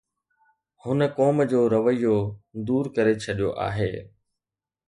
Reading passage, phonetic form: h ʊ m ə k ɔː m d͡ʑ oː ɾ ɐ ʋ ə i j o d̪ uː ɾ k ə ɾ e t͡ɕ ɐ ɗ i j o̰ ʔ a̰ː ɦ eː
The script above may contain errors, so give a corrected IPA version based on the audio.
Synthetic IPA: h ʊ n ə k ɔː m d͡ʑ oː ɾ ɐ ʋ ə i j o d̪ uː ɾ k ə ɾ e t͡ɕʰ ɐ ɗ i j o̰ ʔ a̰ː ɦ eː